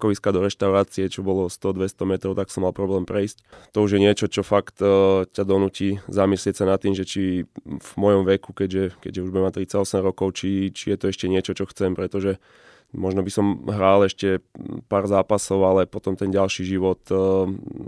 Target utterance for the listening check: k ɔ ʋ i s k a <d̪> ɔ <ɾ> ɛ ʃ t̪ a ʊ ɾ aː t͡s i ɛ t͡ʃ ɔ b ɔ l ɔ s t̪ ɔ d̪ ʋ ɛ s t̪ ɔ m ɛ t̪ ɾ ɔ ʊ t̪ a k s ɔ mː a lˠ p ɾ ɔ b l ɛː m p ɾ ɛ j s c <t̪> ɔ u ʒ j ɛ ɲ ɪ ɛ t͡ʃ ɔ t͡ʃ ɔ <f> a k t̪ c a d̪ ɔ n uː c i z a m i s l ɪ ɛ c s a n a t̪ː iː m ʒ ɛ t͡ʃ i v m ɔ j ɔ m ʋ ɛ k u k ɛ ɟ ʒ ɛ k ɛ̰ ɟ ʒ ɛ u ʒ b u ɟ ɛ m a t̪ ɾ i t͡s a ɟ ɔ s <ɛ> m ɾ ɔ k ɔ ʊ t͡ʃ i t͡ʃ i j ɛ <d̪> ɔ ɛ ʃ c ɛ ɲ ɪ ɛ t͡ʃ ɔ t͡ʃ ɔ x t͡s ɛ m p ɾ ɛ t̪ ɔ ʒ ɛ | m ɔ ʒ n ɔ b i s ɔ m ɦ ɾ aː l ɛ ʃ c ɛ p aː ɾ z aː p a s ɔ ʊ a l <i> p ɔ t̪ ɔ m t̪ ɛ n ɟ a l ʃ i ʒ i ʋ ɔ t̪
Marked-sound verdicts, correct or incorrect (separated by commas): correct, correct, correct, correct, correct, incorrect, incorrect